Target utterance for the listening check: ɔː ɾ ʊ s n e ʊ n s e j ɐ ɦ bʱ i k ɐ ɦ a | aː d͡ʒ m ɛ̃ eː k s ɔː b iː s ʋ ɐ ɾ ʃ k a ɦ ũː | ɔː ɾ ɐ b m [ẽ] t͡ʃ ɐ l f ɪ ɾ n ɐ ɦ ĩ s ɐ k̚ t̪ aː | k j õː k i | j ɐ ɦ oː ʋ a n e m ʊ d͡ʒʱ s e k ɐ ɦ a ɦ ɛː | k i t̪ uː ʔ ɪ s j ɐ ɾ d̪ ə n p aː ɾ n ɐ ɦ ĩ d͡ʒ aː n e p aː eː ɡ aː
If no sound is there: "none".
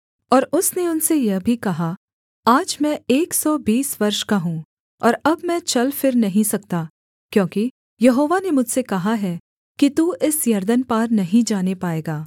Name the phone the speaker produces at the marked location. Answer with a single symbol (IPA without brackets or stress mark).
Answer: ɛ̃